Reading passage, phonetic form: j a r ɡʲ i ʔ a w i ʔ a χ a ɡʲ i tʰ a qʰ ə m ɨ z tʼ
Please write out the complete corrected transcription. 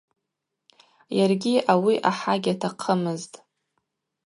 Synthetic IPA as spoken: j a r ɡʲ i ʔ a w i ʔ a ħ a ɡʲ a tʰ a qʰ ə m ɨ z tʼ